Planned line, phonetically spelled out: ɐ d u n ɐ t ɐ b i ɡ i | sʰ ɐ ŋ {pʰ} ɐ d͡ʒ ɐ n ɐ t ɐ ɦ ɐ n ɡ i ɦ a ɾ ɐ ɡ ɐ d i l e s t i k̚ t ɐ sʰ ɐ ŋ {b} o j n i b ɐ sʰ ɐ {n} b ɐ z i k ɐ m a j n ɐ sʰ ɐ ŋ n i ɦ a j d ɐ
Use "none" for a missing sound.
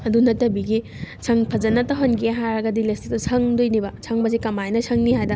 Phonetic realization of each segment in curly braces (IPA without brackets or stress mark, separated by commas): pʰ, d, ŋ